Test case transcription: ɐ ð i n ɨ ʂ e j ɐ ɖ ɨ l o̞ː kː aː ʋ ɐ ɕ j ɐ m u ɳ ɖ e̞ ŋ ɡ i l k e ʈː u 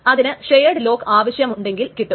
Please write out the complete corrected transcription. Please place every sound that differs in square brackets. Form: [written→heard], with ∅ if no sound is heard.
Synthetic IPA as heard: ɐ ð i n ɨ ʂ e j ɐ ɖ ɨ l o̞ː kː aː ʋ ɐ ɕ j ɐ m u ɳ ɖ e̞ ŋ ɡ i l k [e→i] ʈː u